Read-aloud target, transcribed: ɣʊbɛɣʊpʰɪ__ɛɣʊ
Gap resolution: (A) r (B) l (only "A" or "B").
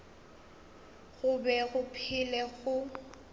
B